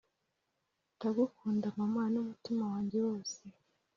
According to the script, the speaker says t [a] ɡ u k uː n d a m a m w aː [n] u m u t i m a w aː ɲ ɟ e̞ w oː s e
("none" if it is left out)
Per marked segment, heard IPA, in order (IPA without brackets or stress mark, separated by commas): a, n